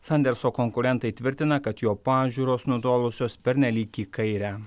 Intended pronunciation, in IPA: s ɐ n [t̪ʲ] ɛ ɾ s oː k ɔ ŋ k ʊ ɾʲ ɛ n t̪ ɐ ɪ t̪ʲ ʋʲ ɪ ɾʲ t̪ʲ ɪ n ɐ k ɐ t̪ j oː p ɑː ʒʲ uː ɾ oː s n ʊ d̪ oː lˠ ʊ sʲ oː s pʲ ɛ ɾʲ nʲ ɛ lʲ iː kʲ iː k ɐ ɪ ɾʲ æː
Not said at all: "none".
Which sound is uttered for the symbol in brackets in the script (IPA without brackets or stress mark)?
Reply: d̪ʲ